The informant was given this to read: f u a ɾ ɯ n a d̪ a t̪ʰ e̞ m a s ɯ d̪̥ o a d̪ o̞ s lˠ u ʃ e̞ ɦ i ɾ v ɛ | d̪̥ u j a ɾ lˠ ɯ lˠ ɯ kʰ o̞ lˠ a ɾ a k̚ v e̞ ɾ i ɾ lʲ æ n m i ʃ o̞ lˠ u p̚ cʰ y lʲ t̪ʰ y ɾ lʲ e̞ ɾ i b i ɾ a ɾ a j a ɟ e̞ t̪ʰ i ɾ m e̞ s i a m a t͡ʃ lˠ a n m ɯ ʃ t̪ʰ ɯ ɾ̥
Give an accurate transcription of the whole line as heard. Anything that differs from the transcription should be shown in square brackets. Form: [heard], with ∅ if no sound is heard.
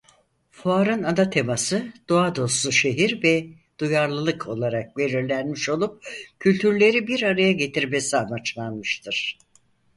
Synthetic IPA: f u a ɾ ɯ n a d̪ a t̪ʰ e̞ m a s ɯ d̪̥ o a d̪ o̞ s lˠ u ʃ e̞ ɦ i ɾ v ɛ | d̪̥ u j a ɾ lˠ ɯ lˠ ɯ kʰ o̞ lˠ a ɾ a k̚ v e̞ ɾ i ɾ lʲ æ n m i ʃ o̞ lˠ u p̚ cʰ y lʲ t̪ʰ y ɾ lʲ e̞ ɾ i b i ɾ a ɾ a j a ɟ e̞ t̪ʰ i ɾ m e̞ s i a m a t͡ʃ lˠ a n m ɯ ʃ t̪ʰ ɯ ɾ̥